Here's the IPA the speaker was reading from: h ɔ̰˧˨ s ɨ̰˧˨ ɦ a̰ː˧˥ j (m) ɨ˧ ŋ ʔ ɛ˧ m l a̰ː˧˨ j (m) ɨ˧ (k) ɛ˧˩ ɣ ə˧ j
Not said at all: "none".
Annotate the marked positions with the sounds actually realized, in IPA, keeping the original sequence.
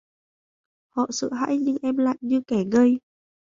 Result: ɲ, ɲ, k

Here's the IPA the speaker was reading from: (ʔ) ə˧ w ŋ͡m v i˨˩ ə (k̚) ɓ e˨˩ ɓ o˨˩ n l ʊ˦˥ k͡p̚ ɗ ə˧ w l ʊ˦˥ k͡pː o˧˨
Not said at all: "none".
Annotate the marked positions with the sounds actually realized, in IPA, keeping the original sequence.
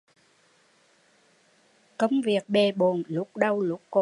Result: k, k̚

